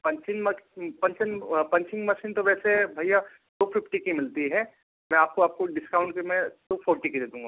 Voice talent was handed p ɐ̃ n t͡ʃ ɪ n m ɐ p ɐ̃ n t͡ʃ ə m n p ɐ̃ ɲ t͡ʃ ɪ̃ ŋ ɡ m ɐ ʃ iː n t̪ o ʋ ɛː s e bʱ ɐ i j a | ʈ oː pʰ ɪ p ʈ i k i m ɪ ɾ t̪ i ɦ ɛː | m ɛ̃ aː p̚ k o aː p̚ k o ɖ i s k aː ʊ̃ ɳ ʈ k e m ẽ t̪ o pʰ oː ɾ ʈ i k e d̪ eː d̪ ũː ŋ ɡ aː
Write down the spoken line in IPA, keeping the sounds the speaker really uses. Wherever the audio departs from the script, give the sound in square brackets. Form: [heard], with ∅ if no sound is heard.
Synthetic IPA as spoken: p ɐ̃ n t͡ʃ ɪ n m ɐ p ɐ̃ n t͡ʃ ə [∅] n p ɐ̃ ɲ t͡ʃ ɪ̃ ŋ ɡ m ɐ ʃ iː n t̪ o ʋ ɛː s e bʱ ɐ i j a | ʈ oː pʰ ɪ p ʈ i k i m ɪ [l] t̪ i ɦ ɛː | m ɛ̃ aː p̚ k o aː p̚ k o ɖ [ɪ] s k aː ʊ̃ ɳ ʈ k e m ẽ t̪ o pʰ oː ɾ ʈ i k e d̪ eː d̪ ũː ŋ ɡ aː